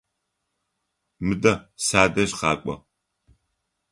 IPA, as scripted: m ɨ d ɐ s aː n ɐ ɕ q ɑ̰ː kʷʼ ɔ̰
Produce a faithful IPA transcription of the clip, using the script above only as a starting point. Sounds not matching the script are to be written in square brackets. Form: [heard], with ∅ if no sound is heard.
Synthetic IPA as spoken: m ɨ d ɐ s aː [d] ɐ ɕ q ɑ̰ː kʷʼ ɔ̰